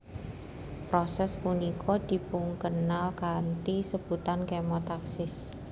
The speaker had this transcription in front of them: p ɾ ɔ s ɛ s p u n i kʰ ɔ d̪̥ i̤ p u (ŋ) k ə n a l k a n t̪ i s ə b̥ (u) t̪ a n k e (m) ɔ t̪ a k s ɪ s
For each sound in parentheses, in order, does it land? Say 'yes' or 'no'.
yes, yes, yes

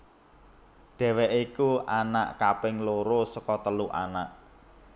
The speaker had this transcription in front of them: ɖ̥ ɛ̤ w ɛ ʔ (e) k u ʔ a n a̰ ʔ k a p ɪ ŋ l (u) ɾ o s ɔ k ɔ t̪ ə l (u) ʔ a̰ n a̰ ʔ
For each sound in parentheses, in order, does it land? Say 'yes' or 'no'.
no, no, yes

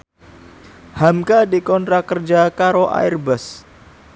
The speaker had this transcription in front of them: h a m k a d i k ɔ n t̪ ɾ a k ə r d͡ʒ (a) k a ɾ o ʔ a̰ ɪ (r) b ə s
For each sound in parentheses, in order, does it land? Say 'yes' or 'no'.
yes, yes

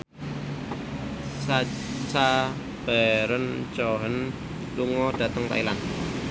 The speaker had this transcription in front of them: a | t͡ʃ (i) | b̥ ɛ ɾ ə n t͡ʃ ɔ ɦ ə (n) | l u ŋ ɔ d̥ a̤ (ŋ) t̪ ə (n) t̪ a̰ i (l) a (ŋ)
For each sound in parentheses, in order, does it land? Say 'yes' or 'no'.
no, yes, no, no, yes, no

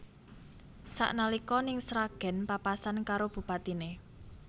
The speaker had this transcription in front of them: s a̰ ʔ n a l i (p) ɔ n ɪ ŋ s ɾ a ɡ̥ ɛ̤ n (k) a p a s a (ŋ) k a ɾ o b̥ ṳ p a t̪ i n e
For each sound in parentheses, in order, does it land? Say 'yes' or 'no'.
no, no, no

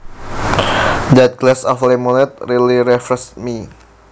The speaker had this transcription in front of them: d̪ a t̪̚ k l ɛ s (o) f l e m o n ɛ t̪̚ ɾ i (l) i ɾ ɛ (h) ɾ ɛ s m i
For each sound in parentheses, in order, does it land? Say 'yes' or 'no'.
no, yes, no

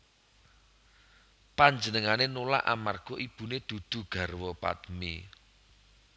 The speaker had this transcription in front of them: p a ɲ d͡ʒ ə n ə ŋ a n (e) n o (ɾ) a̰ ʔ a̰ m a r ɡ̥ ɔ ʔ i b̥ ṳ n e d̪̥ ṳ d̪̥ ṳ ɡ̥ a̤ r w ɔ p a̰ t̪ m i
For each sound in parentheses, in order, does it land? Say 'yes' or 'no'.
yes, no

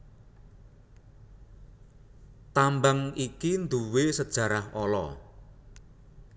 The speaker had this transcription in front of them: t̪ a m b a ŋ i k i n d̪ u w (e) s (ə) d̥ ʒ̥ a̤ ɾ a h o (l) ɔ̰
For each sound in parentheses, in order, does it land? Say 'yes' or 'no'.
yes, yes, yes

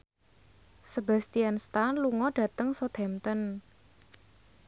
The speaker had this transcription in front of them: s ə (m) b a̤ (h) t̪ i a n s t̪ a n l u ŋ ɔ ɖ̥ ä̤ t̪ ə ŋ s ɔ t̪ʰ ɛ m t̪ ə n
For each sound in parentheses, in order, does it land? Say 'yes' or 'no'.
no, no

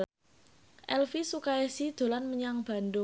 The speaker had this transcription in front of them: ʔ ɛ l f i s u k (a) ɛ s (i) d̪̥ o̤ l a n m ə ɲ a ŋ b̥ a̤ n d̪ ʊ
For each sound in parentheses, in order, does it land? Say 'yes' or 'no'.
yes, yes

